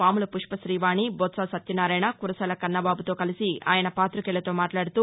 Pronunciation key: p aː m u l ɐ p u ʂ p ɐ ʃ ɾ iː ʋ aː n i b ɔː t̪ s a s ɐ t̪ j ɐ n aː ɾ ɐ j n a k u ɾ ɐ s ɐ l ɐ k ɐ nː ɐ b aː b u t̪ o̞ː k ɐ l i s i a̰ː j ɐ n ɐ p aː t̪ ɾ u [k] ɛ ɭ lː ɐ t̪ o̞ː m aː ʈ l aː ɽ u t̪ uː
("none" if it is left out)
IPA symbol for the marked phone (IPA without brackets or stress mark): k